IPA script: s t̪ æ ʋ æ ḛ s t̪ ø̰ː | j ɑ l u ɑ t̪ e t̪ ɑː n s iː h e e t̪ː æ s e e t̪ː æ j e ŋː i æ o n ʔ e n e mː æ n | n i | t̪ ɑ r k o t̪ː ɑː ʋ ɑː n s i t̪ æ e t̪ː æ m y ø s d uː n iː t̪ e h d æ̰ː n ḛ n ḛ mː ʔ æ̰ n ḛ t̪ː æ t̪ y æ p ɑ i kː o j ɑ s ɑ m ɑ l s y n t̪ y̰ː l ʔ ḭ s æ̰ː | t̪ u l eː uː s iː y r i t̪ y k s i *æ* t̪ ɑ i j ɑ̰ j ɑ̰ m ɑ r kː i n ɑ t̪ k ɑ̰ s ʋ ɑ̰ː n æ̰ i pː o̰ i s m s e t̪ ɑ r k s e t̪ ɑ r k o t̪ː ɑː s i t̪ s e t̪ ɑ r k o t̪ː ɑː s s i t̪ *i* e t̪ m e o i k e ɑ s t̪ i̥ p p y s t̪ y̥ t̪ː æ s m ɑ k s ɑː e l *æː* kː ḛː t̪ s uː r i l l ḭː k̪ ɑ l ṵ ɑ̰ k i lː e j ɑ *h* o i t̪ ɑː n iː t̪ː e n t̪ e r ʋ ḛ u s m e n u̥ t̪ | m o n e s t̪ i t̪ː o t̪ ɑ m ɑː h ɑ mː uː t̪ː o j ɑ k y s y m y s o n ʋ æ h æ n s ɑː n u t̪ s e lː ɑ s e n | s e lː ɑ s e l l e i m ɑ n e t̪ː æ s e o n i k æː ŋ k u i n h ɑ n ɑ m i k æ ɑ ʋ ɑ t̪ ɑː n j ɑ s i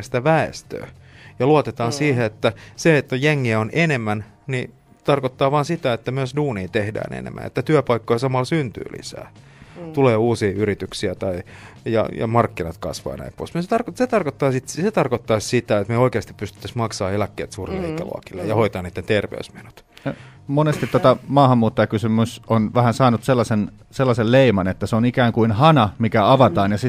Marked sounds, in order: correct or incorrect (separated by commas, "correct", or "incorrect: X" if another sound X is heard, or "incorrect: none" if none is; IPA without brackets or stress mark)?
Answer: correct, incorrect: æ, incorrect: æ, correct